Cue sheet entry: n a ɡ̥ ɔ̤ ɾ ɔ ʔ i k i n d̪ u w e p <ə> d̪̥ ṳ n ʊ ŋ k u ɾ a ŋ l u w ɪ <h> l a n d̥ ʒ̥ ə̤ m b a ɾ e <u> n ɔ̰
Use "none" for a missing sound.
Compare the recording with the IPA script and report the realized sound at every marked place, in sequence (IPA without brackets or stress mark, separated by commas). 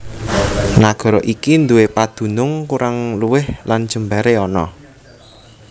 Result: a, h, ɔ